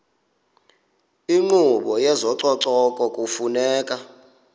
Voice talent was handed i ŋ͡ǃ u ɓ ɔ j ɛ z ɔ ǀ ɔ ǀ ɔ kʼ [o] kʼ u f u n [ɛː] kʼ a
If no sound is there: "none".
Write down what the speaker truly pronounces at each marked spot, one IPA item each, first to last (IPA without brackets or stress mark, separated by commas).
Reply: ɔ, ɛː